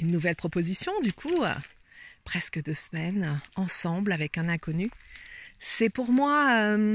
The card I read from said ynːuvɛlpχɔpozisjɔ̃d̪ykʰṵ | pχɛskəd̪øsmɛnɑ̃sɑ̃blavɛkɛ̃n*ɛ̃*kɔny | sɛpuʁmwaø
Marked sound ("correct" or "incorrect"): correct